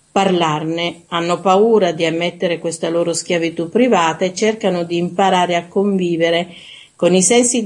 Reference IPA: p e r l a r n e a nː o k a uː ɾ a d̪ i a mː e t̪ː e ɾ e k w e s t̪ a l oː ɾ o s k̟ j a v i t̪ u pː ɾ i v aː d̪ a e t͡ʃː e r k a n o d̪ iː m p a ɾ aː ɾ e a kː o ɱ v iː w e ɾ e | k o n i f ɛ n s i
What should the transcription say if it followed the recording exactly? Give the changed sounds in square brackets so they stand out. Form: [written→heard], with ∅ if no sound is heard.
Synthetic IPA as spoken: p [e→a] r l a r n e a nː o [k→p] a uː ɾ a d̪ i a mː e t̪ː e ɾ e k w e s t̪ a l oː ɾ o s k̟ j a v i t̪ u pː ɾ i v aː [d̪→t̪] a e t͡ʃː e r k a n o d̪ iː m p a ɾ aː ɾ e a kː o ɱ v iː [w→v] e ɾ e | k o n i [f→s] ɛ n s i